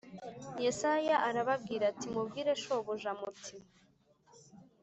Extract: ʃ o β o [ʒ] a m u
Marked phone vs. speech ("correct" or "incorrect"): correct